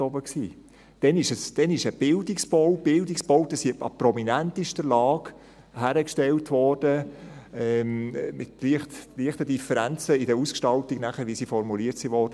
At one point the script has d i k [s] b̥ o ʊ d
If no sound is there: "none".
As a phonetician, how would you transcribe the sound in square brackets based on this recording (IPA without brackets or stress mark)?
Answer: s